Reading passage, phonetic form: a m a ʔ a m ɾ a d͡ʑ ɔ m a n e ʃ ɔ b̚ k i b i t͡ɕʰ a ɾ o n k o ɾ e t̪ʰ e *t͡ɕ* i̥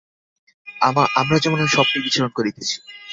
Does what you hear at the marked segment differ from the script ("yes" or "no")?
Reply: yes